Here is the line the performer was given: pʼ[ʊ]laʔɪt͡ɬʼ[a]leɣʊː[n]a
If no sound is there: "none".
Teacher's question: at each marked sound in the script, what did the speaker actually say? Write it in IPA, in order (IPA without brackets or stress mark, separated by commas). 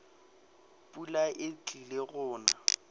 u, i, n